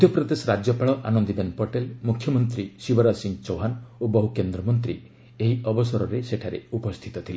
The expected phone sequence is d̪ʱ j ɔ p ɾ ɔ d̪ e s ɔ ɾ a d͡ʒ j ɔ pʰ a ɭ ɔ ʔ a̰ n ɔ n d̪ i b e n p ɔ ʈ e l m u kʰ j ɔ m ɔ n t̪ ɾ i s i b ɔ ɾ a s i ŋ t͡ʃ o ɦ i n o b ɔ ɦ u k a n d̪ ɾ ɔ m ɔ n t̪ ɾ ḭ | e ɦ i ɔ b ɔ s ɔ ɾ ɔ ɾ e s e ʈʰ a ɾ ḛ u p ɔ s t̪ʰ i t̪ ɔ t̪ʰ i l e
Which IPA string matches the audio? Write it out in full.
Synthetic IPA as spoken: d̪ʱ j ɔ p ɾ ɔ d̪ e s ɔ ɾ a d͡ʒ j ɔ p a ɭ ɔ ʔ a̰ n ɔ n d̪ i b e n p ɔ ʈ e l m u kʰ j ɔ m ɔ n t̪ ɾ i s i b ɔ ɾ a s i ŋ t͡ʃ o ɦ a n o b ɔ ɦ u k e n d̪ ɾ ɔ m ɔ n t̪ ɾ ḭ | e ɦ i ɔ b ɔ s ɔ ɾ ɔ ɾ e s e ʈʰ a ɾ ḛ u p ɔ s t̪ʰ i t̪ ɔ t̪ʰ i l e